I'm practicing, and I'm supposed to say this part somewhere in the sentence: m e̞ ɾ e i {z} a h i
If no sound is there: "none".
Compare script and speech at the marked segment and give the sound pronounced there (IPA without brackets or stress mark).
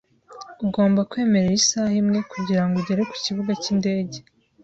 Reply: s